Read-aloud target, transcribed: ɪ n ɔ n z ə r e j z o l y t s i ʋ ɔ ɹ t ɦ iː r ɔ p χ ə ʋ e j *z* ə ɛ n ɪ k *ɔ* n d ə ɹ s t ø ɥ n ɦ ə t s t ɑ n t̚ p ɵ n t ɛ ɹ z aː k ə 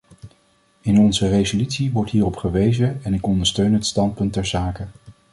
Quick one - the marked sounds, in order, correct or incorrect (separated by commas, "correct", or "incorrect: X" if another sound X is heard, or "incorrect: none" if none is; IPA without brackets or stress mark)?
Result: correct, correct